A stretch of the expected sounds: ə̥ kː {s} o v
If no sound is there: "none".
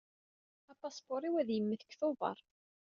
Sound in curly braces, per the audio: θ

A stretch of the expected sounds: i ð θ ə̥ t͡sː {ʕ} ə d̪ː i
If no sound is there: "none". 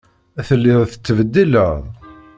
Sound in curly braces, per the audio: v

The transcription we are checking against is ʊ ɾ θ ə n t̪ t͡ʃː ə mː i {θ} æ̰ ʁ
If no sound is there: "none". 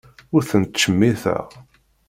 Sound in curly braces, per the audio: θ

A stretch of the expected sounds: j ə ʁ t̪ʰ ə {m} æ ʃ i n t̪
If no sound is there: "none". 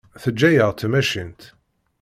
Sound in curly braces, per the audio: m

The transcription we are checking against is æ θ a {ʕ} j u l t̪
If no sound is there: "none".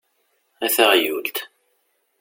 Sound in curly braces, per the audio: ʁ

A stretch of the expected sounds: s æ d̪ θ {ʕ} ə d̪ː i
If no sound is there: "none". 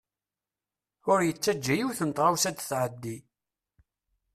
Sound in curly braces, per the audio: ʕ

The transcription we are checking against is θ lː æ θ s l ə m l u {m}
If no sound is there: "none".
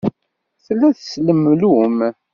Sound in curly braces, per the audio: m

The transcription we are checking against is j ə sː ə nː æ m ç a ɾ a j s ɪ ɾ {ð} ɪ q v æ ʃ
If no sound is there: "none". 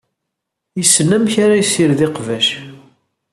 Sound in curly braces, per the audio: ð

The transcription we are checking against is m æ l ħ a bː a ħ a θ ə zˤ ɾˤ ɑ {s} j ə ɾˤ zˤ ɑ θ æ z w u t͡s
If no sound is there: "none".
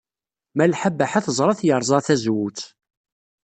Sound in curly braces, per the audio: θ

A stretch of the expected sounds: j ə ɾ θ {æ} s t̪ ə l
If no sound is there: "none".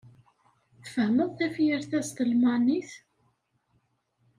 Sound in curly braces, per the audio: æ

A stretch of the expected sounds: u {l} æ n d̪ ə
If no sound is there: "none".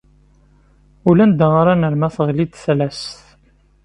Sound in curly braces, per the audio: l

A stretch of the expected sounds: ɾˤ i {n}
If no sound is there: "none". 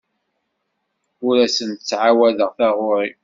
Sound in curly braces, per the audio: none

